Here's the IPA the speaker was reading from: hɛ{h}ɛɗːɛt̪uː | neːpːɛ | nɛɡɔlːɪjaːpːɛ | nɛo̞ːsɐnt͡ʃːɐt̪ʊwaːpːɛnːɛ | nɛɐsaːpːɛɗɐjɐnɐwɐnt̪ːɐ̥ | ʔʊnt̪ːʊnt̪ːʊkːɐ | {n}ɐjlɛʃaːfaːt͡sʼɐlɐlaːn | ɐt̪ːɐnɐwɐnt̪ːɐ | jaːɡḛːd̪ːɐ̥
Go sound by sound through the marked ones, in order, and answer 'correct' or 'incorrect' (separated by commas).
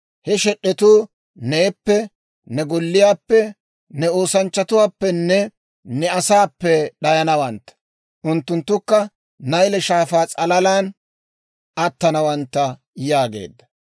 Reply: incorrect, correct